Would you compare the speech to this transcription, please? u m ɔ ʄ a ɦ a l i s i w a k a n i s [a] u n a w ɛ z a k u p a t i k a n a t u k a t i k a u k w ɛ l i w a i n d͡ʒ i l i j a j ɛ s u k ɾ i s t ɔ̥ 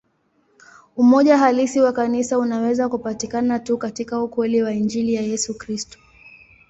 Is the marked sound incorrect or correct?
correct